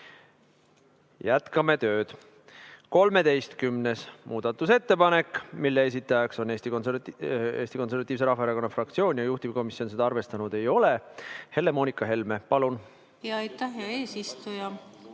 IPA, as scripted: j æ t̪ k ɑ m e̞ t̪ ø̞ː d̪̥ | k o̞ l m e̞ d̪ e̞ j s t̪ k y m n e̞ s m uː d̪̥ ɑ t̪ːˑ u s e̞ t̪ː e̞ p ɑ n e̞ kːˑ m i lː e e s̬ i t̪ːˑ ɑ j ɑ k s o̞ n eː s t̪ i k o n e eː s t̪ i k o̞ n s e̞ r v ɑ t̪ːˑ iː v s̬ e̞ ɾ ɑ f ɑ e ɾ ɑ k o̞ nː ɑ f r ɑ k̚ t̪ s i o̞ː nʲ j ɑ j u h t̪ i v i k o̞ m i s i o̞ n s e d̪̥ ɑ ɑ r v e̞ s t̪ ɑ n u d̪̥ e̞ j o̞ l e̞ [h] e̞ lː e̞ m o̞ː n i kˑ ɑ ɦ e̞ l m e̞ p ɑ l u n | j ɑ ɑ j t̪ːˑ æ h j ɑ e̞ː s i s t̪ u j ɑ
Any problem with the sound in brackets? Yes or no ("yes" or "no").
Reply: no